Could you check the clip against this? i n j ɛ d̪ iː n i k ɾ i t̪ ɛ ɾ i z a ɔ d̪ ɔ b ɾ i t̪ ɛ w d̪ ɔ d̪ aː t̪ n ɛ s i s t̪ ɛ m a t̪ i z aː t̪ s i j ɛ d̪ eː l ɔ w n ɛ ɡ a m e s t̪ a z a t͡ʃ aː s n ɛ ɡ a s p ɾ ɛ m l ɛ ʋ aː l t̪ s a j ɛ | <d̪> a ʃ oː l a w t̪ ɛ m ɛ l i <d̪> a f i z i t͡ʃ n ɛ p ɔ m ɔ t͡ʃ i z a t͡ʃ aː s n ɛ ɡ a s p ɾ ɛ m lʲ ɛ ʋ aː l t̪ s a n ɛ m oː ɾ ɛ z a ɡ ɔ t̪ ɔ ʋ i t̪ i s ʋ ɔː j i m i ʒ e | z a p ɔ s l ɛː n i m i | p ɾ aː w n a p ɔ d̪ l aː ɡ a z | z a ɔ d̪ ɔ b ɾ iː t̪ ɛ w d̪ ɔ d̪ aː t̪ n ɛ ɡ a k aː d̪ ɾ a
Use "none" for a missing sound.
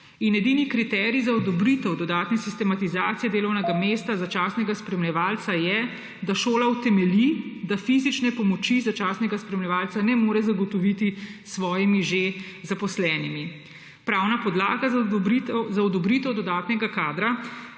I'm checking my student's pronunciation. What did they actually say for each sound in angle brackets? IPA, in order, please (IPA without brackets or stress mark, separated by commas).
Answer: d̪, d̪